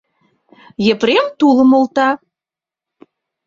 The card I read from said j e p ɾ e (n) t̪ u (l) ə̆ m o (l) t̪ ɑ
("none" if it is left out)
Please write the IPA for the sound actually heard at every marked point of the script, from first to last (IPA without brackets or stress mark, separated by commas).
m, l, l